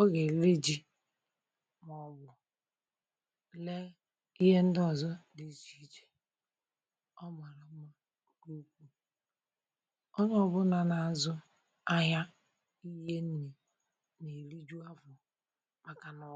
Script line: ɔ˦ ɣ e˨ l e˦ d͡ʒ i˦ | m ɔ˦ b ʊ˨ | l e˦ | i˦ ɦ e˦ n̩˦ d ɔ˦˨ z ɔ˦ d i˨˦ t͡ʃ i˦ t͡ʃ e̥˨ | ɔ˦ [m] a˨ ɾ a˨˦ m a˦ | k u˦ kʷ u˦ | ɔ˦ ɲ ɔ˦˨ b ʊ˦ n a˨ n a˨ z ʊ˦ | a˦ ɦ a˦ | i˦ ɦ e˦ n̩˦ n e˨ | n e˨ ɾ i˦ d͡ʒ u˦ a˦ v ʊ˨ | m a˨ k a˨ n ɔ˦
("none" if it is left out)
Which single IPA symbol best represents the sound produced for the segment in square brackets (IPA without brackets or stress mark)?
m